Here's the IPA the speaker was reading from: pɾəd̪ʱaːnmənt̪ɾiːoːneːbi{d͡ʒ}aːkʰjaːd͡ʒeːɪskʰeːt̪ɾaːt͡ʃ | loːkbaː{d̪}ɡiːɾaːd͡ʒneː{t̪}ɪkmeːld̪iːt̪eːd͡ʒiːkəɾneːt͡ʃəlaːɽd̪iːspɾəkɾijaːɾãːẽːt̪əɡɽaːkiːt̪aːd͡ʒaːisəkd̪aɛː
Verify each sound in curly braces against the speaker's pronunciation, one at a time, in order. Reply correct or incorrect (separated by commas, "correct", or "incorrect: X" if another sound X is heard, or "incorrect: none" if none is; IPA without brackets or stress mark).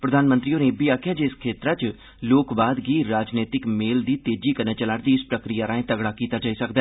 incorrect: none, correct, correct